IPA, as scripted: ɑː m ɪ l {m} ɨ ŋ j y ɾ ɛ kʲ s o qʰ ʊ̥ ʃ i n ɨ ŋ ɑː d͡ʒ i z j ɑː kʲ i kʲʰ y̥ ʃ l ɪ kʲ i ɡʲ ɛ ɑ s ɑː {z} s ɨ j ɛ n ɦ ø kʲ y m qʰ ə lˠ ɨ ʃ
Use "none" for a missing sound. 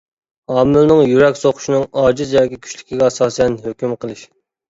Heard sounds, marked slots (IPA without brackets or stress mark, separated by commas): n, none